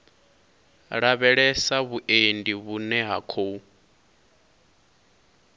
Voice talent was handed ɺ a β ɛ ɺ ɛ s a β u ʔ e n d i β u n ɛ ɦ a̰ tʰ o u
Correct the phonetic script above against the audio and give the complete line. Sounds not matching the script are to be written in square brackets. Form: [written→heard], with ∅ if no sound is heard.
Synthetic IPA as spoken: ɺ a β ɛ ɺ ɛ s a β u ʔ e n d i β u n ɛ ɦ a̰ [tʰ→kʰ] o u